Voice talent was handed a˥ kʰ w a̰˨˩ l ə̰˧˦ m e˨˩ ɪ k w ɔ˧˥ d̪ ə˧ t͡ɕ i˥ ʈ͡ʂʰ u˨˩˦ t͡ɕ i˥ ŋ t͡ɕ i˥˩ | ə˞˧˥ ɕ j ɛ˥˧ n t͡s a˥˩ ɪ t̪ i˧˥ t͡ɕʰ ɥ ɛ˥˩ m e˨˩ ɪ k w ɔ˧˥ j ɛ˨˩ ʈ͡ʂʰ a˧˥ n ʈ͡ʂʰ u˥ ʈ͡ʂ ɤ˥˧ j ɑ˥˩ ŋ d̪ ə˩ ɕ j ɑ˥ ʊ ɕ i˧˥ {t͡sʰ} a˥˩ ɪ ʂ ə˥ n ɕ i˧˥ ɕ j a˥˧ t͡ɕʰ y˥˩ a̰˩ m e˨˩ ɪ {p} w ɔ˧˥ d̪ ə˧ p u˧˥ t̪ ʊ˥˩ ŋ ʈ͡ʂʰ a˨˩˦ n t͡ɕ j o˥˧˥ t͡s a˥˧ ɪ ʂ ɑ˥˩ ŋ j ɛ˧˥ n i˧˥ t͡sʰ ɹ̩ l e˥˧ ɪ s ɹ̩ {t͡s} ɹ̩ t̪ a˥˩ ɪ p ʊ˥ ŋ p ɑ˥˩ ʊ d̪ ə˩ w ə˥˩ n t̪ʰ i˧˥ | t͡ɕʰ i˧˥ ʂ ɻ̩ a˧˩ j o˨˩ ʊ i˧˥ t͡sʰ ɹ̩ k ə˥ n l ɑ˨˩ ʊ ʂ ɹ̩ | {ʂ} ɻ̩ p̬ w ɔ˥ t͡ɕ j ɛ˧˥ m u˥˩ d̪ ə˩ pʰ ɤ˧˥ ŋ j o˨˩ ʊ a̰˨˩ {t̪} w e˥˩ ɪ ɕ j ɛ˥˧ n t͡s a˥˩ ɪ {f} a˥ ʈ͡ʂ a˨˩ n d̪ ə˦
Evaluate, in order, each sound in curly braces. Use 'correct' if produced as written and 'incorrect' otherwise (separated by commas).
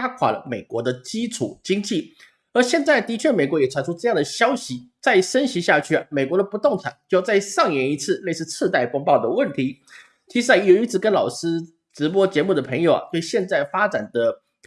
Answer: incorrect, incorrect, incorrect, incorrect, correct, correct